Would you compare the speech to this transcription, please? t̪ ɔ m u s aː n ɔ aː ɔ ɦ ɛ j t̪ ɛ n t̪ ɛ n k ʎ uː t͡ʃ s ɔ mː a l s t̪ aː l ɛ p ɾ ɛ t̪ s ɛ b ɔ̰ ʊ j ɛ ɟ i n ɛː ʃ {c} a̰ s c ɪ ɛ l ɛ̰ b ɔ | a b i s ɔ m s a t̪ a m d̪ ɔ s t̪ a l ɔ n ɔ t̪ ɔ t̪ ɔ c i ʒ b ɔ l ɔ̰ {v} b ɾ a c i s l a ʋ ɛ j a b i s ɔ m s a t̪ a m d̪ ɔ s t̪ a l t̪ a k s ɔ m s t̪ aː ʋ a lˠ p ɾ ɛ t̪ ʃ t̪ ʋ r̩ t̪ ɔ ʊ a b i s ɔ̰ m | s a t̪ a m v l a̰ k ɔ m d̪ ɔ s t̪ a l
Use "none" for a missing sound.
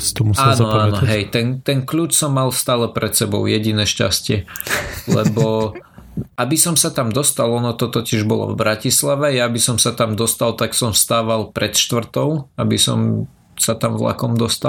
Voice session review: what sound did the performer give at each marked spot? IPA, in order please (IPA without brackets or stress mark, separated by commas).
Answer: c, v